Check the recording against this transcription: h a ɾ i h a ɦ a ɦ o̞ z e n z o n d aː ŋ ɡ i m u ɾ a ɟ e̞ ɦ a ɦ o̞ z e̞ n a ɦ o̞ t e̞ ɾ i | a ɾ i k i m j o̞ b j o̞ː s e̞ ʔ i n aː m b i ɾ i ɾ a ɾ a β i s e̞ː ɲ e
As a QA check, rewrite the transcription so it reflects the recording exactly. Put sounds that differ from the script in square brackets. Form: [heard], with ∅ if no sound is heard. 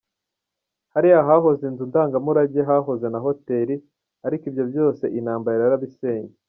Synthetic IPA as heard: h a ɾ i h a ɦ a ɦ o̞ z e n z [u] n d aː ŋ ɡ [a] m u ɾ a ɟ e̞ ɦ a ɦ o̞ z e̞ n a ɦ o̞ t e̞ ɾ i | a ɾ i k i [b] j o̞ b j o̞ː s e̞ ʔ i n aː m b [a] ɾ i ɾ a ɾ a β i s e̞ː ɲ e